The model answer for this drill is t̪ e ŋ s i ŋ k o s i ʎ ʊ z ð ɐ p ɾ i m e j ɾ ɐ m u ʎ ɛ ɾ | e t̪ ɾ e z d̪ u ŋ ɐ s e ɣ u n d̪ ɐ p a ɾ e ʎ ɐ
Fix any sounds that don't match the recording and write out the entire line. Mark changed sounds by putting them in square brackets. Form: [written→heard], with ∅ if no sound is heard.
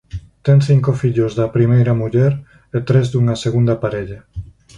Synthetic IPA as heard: t̪ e ŋ [s→θ] i ŋ k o [s→f] i ʎ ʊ z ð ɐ p ɾ i m e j ɾ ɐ m u ʎ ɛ ɾ | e t̪ ɾ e z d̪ u ŋ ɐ s e ɣ u n d̪ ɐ p a ɾ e ʎ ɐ